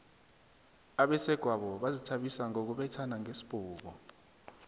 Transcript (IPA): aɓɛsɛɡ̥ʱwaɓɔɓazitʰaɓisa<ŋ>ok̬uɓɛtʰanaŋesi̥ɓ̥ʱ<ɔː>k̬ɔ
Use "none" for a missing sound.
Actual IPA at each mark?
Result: ŋ, uː

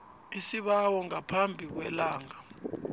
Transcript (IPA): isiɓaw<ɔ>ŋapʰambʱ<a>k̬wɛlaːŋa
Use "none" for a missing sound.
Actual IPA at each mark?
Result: ɔ, i

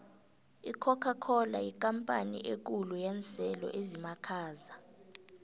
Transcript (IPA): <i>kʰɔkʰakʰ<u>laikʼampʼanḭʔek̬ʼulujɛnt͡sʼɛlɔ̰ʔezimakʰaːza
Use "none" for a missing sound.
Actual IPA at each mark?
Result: i, ɔ

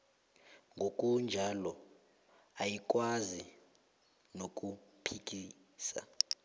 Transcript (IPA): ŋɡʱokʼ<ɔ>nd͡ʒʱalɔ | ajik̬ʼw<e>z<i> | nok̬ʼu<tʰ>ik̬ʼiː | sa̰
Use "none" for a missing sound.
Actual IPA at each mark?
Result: u, a, i, pʰ

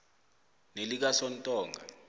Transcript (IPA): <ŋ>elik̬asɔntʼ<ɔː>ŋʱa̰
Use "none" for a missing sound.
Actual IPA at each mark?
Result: n, ɔː

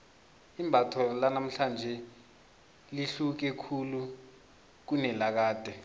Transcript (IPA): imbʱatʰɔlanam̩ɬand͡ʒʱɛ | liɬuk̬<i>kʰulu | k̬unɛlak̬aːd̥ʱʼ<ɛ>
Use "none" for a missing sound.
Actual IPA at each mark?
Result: ɛ, ɛ

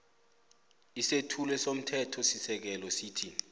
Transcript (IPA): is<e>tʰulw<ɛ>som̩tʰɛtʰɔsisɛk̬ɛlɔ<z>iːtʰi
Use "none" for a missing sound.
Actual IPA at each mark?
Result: e, ɛ, s

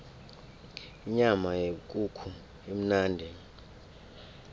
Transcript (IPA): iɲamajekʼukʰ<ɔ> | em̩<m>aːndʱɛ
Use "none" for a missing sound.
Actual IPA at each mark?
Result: u, n

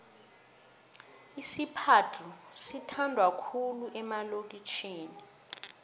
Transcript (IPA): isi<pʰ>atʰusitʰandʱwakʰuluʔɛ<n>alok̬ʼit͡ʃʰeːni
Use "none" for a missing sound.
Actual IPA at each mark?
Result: pʰ, m

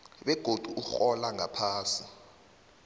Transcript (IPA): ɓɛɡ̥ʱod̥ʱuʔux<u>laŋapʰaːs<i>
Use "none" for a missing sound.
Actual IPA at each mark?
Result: ɔ, i

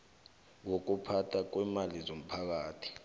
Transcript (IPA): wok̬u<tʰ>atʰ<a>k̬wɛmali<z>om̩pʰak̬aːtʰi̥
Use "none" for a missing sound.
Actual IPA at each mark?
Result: pʰ, a, z

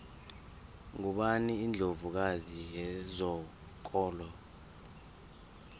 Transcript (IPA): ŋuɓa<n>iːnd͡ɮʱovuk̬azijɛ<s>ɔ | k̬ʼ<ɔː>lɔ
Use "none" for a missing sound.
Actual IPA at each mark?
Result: n, z, ɔː

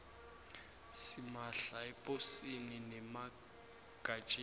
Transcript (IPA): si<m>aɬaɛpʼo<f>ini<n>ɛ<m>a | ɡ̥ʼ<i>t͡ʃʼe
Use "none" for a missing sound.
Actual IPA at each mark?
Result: m, s, n, m, a

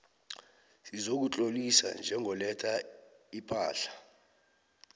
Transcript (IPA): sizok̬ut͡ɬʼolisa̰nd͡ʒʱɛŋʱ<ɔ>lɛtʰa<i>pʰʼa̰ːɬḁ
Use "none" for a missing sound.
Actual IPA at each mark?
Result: ɔ, i

